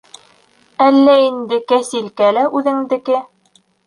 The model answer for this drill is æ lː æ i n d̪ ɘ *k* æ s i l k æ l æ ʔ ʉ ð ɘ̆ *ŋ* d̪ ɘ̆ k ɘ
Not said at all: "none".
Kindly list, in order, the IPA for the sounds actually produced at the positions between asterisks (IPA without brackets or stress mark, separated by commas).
k, ŋ